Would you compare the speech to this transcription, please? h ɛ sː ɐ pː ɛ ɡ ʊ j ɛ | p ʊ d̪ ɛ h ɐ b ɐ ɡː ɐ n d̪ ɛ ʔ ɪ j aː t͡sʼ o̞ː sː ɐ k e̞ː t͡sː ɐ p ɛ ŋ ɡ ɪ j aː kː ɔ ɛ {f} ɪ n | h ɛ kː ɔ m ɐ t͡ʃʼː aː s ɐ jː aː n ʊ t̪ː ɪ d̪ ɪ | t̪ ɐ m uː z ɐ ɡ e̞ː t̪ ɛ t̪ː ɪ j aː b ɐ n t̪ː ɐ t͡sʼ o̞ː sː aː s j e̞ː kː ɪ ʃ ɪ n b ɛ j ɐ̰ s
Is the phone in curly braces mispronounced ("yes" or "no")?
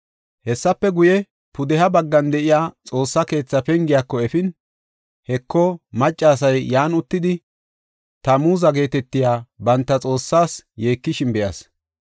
no